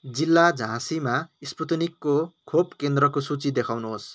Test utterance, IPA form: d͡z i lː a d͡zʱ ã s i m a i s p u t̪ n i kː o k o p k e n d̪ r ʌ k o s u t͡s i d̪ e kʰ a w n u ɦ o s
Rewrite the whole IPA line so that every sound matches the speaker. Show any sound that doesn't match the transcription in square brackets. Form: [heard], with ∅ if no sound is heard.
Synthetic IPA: d͡z i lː a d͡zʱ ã s i m a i s p u t̪ n i kː o [kʰ] o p k e n d̪ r ʌ k o s u t͡s i d̪ e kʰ a w n u ɦ o s